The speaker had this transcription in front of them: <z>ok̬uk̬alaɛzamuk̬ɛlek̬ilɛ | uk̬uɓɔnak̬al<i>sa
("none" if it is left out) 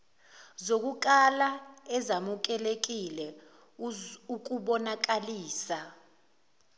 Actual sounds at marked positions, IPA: z, iː

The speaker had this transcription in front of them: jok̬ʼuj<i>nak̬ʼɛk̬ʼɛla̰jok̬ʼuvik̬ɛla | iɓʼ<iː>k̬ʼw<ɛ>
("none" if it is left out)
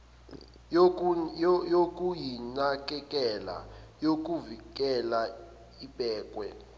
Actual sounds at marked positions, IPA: i, ɛː, ɛ

